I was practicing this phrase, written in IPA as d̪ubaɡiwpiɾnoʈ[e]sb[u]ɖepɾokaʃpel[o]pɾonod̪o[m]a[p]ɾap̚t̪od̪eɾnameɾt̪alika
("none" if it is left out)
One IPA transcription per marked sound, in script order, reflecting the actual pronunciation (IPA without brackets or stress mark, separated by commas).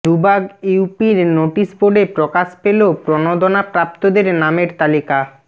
i, o, o, n, p